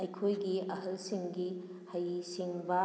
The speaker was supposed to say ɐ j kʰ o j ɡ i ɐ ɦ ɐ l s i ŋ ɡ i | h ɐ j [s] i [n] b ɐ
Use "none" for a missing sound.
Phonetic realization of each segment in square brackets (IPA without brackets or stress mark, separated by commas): s, ŋ